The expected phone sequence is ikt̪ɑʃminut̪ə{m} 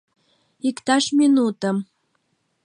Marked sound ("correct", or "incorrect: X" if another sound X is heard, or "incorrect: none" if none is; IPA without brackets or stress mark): correct